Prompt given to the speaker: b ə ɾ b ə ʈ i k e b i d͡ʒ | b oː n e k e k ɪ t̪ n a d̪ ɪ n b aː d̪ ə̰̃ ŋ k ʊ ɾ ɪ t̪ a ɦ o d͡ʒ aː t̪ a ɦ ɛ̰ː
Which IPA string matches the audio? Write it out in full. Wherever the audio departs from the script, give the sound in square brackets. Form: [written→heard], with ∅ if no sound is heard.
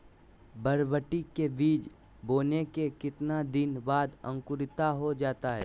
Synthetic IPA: b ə ɾ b ə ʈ i k e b [i→iː] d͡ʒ | b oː n e k e k ɪ t̪ n a d̪ ɪ n b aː d̪ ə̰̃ ŋ k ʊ ɾ ɪ t̪ a ɦ o d͡ʒ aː t̪ a ɦ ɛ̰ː